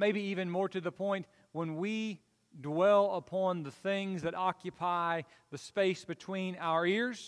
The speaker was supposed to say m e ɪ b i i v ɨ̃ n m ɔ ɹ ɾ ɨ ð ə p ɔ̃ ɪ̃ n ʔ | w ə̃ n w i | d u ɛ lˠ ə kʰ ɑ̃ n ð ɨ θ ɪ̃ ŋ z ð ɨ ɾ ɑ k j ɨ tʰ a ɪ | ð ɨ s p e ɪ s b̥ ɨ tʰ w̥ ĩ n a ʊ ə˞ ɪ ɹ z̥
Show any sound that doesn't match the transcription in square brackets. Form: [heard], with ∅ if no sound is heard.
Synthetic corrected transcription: m e ɪ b i i v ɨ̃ n m ɔ ɹ ɾ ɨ ð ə [pʰ] ɔ̃ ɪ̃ n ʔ | w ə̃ n w i | d [w] ɛ lˠ ə [pʰ] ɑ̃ n ð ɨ θ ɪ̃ ŋ z ð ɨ ɾ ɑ k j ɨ [pʰ] a ɪ | ð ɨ s p e ɪ s b̥ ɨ tʰ w̥ ĩ n a ʊ ə˞ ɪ ɹ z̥